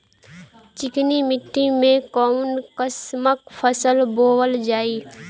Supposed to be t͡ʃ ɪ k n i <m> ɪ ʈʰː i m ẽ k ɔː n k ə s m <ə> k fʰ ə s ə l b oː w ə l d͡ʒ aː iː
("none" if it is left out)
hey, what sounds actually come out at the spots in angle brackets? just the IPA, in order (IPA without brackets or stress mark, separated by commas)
m, ə